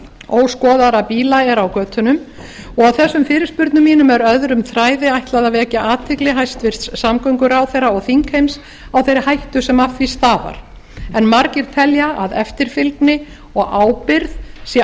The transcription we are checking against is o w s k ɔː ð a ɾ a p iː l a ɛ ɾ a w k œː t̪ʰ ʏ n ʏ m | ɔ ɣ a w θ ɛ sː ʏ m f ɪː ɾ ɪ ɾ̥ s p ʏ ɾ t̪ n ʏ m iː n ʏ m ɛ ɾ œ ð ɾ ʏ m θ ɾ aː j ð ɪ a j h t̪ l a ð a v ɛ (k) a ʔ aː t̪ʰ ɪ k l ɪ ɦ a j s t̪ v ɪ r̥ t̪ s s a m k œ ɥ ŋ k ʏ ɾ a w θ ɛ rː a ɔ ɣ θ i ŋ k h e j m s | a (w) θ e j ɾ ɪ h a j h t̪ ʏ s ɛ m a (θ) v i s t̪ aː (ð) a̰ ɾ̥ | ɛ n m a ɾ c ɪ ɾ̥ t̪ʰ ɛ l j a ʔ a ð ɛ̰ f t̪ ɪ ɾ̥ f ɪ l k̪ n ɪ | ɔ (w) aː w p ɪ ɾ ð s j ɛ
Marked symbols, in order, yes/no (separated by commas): no, yes, no, no, no